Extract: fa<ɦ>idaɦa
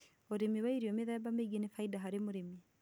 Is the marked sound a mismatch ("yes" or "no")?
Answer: yes